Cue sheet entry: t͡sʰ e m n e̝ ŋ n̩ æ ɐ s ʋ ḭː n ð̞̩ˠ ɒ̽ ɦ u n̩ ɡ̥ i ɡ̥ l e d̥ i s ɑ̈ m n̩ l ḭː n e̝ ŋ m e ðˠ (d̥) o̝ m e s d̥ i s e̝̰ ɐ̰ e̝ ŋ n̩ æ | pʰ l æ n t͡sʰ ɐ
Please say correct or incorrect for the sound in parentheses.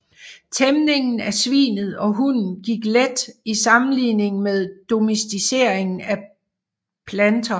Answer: correct